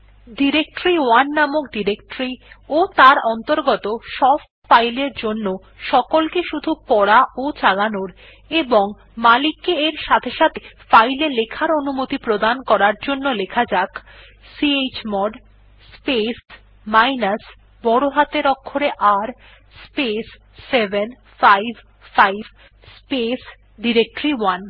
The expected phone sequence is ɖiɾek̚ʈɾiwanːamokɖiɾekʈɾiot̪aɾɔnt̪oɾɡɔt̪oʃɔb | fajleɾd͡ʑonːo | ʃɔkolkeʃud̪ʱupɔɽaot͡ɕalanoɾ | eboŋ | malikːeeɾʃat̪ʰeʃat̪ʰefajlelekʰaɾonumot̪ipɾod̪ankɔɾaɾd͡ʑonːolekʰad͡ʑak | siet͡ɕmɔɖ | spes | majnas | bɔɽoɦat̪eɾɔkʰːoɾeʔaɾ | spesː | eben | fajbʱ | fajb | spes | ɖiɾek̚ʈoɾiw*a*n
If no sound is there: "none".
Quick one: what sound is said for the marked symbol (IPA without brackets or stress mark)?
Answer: a